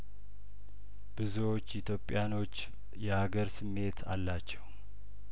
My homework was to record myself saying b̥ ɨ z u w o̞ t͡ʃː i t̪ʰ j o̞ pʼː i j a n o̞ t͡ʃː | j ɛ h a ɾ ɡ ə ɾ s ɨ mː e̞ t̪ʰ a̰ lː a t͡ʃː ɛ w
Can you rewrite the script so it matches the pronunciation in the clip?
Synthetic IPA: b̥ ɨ z u w o̞ t͡ʃː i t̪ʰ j o̞ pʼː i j a n o̞ t͡ʃː | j ɛ h a ɡ ə ɾ s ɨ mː e̞ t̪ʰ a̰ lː a t͡ʃː ɛ w